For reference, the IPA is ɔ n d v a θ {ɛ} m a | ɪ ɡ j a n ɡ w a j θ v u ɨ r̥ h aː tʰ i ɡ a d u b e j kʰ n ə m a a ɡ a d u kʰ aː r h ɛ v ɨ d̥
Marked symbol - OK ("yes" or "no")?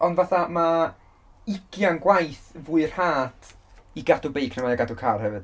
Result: no